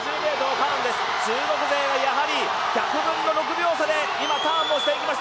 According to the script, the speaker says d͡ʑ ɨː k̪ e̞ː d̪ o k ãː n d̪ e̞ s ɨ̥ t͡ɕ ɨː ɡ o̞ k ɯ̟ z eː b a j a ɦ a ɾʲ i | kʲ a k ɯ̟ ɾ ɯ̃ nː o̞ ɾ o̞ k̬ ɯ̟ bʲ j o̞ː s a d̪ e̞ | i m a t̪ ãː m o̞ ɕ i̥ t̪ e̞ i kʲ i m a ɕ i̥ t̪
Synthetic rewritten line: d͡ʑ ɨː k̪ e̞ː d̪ o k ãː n d̪ e̞ s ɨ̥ t͡ɕ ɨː ɡ o̞ k ɯ̟ z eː β a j a ɦ a ɾʲ i | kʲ a k ɯ̟ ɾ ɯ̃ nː o̞ ɾ o̞ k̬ ɯ̟ bʲ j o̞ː s a d̪ e̞ | i m a t̪ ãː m o̞ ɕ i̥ t̪ e̞ i kʲ i m a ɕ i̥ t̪